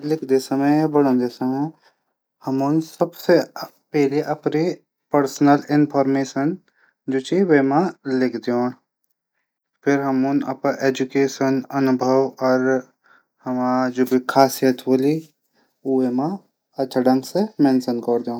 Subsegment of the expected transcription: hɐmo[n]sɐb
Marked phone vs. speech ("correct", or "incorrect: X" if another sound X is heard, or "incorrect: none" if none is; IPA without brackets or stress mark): correct